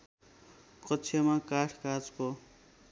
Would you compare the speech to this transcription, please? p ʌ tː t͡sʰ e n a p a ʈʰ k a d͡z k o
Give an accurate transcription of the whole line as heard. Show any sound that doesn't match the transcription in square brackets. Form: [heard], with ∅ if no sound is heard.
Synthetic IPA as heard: [k] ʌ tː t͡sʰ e [m] a [k] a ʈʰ k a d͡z k o

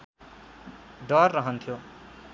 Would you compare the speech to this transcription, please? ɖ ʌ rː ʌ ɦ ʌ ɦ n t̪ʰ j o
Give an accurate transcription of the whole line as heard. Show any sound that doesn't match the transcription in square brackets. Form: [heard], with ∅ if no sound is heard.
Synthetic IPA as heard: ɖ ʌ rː ʌ ɦ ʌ [∅] n t̪ʰ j o

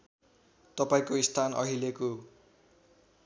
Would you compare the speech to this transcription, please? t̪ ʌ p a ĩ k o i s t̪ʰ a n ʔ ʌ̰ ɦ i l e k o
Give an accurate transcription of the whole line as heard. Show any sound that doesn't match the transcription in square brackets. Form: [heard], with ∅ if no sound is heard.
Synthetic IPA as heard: t̪ ʌ p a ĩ k o i s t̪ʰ a n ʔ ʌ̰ ɦ i l e k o

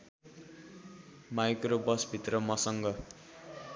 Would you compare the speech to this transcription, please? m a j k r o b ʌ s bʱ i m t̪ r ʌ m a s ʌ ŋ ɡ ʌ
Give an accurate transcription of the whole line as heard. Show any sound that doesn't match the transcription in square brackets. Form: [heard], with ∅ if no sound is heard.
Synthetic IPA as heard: m a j k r o b ʌ s bʱ i [∅] t̪ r ʌ m [ʌ] s ʌ ŋ ɡ ʌ

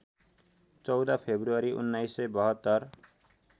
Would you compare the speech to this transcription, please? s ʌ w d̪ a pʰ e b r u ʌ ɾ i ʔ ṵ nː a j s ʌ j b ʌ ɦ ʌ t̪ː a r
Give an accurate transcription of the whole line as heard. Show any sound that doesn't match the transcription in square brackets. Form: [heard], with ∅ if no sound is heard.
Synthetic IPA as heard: [t͡s] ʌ w d̪ a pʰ e b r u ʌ ɾ i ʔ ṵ nː a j s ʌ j b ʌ ɦ ʌ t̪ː [ʌ] r

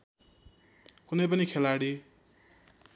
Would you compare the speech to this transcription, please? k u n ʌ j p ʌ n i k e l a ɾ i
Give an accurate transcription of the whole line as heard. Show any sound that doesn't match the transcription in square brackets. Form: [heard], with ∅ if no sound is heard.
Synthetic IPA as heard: k u n ʌ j p ʌ n i [kʰ] e l a [ɽ] i

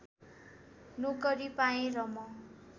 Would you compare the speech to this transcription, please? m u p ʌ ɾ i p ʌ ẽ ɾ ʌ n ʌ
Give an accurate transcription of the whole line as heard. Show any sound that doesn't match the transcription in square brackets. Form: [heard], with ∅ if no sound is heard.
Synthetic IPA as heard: [n] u [k] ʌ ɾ i p [a] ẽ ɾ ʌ [m] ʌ

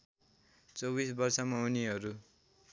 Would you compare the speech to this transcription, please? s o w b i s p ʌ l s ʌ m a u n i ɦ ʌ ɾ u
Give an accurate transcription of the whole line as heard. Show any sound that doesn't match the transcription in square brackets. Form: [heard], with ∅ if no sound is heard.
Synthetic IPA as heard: [t͡s] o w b i s [b] ʌ [r] s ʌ m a u n i ɦ ʌ ɾ u

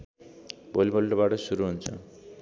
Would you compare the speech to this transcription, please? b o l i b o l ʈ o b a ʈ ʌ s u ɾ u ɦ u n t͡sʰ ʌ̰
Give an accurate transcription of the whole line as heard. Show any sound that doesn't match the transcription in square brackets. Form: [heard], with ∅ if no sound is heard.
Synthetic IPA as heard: b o l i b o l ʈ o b a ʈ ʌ s u ɾ u ɦ u n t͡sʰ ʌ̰

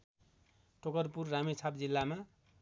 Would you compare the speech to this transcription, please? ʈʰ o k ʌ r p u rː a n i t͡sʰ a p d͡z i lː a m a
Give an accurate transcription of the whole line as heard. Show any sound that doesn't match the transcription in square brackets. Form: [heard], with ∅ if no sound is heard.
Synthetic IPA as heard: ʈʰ o k ʌ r p u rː a [m] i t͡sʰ a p d͡z i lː a m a

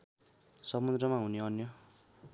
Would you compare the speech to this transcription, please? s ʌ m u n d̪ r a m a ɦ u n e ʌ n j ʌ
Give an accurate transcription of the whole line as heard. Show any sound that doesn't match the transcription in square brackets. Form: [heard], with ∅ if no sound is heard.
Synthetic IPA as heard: s ʌ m u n d̪ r [ʌ] m a ɦ u n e ʌ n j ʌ

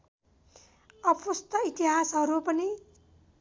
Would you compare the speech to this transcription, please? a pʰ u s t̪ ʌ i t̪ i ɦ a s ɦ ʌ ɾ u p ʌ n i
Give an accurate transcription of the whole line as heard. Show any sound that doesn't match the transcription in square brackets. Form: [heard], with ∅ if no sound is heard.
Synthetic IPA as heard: [ʌ] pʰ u s t̪ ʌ i t̪ i ɦ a s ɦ ʌ ɾ u p ʌ n i

